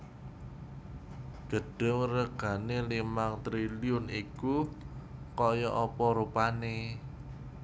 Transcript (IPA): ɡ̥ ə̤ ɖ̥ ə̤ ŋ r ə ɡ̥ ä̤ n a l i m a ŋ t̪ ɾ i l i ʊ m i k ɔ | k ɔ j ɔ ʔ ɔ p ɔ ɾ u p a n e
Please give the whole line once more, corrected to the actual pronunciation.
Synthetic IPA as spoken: ɡ̥ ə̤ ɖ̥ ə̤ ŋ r ə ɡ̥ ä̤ n e l i m a ŋ t̪ ɾ i l i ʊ n i k u | k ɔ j ɔ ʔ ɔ p ɔ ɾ u p a n e